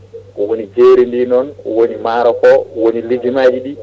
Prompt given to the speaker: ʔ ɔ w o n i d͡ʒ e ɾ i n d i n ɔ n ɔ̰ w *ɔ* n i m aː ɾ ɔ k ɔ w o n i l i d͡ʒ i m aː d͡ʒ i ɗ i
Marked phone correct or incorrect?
incorrect